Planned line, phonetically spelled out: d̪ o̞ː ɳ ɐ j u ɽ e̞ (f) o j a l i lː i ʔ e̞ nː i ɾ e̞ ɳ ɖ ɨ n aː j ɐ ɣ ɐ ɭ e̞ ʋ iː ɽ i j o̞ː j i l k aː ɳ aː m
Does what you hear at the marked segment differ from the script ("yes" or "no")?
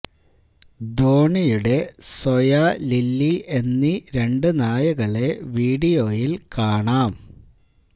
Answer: yes